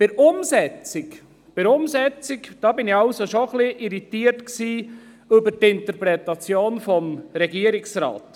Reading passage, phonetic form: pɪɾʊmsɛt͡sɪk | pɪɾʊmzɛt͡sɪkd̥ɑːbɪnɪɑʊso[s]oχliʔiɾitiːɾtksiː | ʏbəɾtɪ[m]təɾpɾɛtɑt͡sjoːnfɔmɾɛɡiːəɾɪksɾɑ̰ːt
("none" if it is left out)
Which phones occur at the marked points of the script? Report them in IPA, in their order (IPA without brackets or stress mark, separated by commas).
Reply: ʃ, n